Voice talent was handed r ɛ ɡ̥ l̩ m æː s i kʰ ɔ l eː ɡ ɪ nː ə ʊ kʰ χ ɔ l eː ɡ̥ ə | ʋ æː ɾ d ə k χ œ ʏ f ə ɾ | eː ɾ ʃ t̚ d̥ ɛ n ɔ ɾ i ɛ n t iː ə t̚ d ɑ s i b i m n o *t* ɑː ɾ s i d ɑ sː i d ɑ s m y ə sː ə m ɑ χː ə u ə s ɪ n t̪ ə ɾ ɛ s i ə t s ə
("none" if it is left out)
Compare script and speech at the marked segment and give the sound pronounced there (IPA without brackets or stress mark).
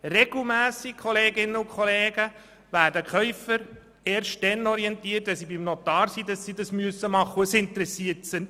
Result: t